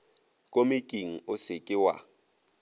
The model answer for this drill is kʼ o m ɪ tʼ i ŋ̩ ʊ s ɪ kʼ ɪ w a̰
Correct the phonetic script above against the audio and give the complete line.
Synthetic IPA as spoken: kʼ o m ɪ kʼ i ŋ̩ ʊ s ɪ kʼ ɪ w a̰

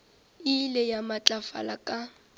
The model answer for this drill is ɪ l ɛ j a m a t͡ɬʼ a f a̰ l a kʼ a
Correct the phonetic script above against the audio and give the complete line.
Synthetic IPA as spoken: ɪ l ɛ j a m a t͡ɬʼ a f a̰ l a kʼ a

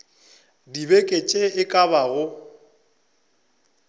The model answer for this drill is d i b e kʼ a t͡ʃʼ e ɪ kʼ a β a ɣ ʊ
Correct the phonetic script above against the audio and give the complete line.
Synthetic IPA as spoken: d i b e kʼ e t͡ʃʼ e ɪ kʼ a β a ɣ ʊ

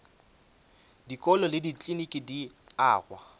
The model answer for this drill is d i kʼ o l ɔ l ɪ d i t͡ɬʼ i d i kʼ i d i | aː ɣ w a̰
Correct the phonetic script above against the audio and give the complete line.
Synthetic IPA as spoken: d i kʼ ɔ l ɔ l ɪ d i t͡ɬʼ i n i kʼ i d i | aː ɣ w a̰

